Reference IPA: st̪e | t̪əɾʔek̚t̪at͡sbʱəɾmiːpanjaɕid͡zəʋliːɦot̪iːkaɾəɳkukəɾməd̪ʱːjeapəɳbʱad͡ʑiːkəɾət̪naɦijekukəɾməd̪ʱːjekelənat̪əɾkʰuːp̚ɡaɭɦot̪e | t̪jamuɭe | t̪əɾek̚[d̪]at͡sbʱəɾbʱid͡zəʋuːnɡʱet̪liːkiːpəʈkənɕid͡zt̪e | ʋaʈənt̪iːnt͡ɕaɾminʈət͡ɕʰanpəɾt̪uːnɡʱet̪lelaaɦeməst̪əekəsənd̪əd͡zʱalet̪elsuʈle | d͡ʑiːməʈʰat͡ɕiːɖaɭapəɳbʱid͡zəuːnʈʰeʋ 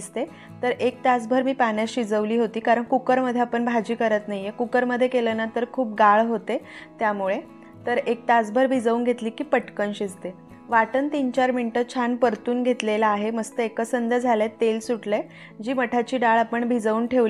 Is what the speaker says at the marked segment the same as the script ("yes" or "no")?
no